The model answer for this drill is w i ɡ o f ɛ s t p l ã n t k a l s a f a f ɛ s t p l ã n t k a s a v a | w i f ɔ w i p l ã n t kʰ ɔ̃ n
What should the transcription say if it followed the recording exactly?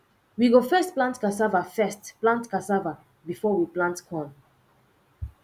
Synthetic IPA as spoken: w i ɡ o f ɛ s t p l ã n t k a s a v a f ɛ s t p l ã n t k a s a v a | b i f ɔ w i p l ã n t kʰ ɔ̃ n